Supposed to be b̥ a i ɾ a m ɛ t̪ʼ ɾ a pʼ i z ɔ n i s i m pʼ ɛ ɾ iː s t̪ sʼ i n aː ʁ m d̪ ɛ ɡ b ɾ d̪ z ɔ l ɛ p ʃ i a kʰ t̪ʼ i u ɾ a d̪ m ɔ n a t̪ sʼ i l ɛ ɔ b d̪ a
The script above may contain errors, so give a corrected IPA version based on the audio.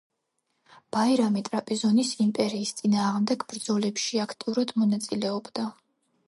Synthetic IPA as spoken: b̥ a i ɾ a m i t̪ʼ ɾ a pʼ i z ɔ n i s i m pʼ ɛ ɾ iː s t̪ sʼ i n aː ʁ m d̪ ɛ ɡ b ɾ d̪ z ɔ l ɛ p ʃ i a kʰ t̪ʼ i u ɾ a d̪ m ɔ n a t̪ sʼ i l ɛ ɔ b d̪ a